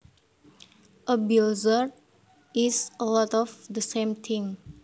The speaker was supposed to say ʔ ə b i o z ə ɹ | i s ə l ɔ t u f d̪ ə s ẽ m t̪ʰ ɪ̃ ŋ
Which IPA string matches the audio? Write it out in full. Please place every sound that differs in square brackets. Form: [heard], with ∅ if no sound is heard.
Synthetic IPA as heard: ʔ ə b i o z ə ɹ | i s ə l ɔ t [ɔ] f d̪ ə s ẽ m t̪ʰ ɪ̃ ŋ